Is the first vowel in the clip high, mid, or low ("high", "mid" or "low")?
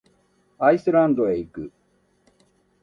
low